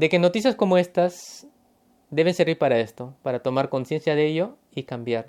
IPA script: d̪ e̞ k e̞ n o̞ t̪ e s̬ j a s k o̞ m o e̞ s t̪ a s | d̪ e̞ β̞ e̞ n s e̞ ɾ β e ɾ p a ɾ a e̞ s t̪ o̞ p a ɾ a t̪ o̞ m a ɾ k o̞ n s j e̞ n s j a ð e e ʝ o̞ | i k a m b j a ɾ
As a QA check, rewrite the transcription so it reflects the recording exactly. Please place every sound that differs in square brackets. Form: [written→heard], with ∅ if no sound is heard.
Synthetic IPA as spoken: d̪ e̞ k e̞ n o̞ t̪ [e→i] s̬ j a s k o̞ m o e̞ s t̪ a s | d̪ e̞ β̞ e̞ n s e̞ ɾ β [e→i] ɾ p a ɾ a e̞ s t̪ o̞ p a ɾ a t̪ o̞ m a ɾ k o̞ n s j e̞ n s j a ð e e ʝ o̞ | i k a m b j a ɾ